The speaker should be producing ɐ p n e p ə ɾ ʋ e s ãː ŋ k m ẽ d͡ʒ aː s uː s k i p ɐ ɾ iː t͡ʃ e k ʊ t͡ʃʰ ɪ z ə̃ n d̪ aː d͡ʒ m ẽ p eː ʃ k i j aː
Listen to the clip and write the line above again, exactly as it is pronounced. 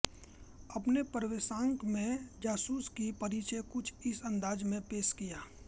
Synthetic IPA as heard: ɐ p n e p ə ɾ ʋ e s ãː ŋ k m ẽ d͡ʒ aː s uː s k i p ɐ ɾ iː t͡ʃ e k ʊ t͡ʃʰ ɪ s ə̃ n d̪ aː d͡ʒ m ẽ p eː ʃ k i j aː